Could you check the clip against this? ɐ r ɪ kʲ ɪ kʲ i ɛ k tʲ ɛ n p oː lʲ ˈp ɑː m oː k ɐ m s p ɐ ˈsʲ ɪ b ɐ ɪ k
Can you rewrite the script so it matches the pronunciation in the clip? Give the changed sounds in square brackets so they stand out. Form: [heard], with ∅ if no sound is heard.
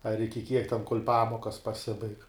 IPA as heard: ɐ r ɪ kʲ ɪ kʲ i ɛ k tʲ ɛ n [k] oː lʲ ˈp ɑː m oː k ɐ [∅] s p ɐ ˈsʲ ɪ b ɐ ɪ k